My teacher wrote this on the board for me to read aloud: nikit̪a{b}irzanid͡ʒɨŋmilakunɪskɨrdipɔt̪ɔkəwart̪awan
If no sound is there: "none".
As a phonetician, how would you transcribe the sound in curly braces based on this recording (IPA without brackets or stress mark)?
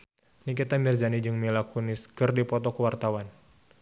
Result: m